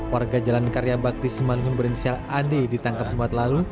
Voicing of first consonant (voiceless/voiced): voiced